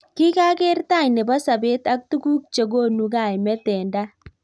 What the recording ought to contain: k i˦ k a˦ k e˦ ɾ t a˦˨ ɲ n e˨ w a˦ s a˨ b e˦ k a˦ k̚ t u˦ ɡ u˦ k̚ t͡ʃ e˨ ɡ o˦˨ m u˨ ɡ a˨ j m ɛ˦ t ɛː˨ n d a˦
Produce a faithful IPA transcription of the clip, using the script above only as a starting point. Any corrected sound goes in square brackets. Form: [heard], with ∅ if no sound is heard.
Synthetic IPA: k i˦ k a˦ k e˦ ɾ t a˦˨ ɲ n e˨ [b] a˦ s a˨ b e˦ [t] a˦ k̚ t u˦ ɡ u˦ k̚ t͡ʃ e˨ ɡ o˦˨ [n] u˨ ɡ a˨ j m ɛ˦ t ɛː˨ n d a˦